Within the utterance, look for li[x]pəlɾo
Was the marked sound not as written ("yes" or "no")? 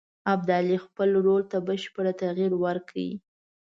no